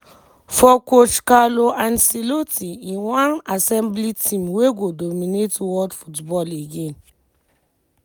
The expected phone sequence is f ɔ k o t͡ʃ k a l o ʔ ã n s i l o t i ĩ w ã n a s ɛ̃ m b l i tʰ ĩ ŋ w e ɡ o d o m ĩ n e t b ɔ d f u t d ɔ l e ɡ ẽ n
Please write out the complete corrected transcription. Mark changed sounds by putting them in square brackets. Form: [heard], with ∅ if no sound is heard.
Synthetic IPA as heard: f ɔ k o t͡ʃ k a l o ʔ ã n s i l o t i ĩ w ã n a s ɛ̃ m b l i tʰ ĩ [m] w e ɡ o d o m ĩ n e t [w] ɔ d f u t [b] ɔ l e ɡ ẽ n